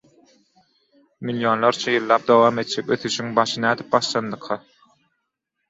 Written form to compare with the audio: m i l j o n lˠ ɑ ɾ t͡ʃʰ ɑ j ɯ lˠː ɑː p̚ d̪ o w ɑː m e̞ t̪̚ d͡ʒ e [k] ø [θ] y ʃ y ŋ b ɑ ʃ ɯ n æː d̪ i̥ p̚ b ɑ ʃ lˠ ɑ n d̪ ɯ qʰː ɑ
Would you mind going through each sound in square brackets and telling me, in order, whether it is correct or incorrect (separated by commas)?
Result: correct, correct